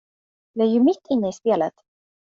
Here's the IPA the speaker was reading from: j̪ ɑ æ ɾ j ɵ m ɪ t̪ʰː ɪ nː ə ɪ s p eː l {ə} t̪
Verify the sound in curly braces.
correct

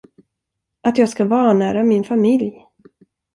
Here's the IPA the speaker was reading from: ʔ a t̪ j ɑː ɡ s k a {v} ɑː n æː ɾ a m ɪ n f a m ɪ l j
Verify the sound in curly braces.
correct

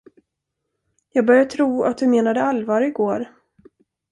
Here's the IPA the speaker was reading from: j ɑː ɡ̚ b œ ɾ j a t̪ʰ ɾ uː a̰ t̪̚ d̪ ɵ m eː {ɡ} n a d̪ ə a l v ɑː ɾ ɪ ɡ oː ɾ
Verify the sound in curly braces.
incorrect: none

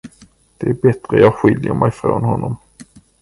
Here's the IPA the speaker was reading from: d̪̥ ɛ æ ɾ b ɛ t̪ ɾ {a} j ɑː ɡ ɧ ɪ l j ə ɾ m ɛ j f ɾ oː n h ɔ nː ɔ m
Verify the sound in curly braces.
incorrect: ə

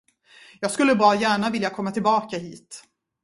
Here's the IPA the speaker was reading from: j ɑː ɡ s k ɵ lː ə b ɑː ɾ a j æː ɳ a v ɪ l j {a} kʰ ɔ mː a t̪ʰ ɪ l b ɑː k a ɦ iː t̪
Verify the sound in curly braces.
correct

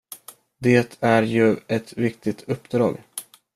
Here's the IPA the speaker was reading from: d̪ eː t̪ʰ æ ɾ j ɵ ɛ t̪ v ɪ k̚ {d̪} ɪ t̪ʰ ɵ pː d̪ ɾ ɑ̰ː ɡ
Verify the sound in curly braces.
incorrect: t̪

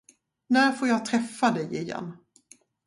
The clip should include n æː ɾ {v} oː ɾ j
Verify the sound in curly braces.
incorrect: f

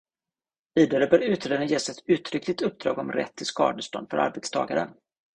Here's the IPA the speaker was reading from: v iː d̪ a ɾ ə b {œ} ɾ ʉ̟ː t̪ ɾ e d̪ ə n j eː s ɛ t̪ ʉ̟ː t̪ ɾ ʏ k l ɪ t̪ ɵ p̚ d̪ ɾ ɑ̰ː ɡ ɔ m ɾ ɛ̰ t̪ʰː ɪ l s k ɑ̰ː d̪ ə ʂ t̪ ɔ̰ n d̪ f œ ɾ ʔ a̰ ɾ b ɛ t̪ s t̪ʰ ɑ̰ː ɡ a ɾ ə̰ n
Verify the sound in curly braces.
incorrect: œː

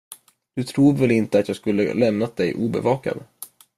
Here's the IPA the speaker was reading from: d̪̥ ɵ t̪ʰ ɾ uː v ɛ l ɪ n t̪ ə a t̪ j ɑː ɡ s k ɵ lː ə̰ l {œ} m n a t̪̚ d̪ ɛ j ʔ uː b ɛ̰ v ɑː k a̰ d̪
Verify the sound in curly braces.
incorrect: ɛ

